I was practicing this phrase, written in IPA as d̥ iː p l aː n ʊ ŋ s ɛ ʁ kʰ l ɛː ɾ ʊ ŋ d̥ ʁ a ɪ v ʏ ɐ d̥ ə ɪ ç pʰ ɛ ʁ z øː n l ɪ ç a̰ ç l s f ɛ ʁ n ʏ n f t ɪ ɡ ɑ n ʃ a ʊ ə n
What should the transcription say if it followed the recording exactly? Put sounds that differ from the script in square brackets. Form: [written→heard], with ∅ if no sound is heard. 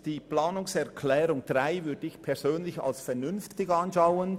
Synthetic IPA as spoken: d̥ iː p l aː n ʊ ŋ s ɛ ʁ kʰ l ɛː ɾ ʊ ŋ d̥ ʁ a ɪ v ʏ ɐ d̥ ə ɪ ç pʰ ɛ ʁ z øː n l ɪ ç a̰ [ç→∅] l s f ɛ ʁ n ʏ n f t ɪ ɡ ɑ n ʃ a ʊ ə n